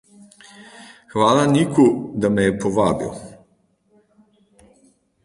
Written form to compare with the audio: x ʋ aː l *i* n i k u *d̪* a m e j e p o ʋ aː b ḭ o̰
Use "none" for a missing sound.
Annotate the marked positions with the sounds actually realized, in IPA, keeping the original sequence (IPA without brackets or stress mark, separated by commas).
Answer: a, d̪